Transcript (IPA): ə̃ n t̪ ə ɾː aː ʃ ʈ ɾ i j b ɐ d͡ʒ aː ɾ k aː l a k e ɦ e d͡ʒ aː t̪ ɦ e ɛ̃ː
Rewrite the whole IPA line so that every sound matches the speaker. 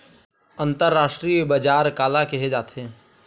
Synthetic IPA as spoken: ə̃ n t̪ ə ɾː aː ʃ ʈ ɾ i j b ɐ d͡ʒ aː ɾ k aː l a k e ɦ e d͡ʒ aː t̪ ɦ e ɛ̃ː